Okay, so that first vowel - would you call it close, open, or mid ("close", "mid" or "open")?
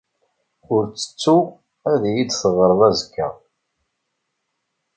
close